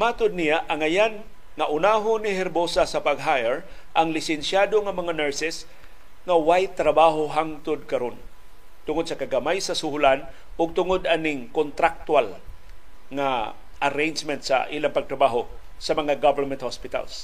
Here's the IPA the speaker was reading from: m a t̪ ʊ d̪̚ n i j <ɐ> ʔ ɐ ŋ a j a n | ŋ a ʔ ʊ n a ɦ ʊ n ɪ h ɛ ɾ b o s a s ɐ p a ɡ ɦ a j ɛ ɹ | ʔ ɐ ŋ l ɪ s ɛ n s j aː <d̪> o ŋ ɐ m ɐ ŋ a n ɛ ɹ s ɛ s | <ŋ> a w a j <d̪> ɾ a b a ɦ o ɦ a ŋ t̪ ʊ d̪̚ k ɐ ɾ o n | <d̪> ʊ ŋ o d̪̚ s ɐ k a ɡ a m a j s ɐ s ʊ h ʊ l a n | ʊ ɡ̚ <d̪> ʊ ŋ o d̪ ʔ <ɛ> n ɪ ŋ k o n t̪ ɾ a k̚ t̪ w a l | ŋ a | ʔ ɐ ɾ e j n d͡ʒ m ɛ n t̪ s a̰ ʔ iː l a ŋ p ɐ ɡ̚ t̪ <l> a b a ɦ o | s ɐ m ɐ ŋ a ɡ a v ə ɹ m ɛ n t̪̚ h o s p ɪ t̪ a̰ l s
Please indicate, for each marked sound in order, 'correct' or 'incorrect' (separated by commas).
incorrect, correct, correct, incorrect, incorrect, incorrect, incorrect, incorrect